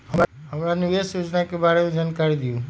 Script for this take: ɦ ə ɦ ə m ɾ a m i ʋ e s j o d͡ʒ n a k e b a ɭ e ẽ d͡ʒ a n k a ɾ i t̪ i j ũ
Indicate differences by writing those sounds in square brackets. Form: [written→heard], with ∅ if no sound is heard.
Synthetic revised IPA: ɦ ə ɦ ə m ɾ a [m→n] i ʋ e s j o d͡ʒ n a k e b a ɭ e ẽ d͡ʒ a n k a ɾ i [t̪→d̪] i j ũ